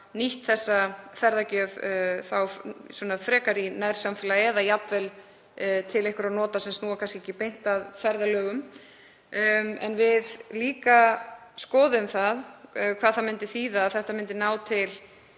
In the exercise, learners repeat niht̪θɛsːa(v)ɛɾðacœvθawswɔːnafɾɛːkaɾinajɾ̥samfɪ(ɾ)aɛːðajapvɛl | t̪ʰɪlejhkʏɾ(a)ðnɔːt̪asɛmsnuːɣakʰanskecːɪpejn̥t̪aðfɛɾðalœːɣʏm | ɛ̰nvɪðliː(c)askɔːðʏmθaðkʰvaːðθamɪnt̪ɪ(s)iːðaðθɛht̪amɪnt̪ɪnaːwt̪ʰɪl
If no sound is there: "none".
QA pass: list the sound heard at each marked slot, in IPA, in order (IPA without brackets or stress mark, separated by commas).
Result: f, l, a, k, θ